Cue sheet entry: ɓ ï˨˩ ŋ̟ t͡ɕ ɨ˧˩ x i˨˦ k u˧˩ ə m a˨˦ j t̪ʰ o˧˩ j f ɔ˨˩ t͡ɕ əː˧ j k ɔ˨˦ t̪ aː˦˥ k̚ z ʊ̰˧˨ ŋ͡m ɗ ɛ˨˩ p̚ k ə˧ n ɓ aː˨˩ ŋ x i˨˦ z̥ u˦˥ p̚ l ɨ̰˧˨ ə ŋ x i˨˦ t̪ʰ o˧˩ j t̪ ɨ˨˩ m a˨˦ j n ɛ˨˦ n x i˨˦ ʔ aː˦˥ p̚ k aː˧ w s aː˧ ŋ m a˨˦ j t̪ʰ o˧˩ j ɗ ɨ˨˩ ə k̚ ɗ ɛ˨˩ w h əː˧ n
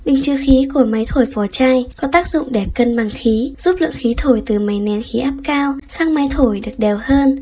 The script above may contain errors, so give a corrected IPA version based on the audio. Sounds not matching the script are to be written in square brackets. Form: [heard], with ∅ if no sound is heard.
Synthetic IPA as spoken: ɓ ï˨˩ ŋ̟ t͡ɕ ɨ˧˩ x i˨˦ k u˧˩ ə m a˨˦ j t̪ʰ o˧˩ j f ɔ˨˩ t͡ɕ [aː˧] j k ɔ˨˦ t̪ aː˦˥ k̚ z ʊ̰˧˨ ŋ͡m ɗ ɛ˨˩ p̚ k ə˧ n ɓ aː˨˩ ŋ x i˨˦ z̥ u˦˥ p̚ l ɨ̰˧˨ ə ŋ x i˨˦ t̪ʰ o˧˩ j t̪ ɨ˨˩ m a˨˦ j n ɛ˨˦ n x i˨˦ ʔ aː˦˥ p̚ k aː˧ w s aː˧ ŋ m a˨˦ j t̪ʰ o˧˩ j ɗ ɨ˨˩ ə k̚ ɗ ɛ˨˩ w h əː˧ n